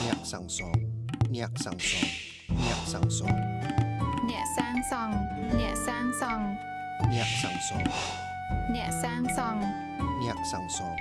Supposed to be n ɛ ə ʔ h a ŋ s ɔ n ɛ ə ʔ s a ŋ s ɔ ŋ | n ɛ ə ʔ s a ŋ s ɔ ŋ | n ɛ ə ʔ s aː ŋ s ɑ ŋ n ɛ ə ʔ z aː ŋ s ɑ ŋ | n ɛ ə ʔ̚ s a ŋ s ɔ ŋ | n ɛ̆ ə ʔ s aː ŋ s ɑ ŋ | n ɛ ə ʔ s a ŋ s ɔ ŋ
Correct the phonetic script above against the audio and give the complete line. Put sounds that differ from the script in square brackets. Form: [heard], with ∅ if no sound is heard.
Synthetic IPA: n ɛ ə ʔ [s] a ŋ s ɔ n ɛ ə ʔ s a ŋ s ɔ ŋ | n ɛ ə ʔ s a ŋ s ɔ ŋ | n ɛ ə ʔ s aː ŋ s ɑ ŋ n ɛ ə ʔ [s] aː ŋ s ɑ ŋ | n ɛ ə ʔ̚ s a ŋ s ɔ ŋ | n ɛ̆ ə ʔ s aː ŋ s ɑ ŋ | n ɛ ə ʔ s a ŋ s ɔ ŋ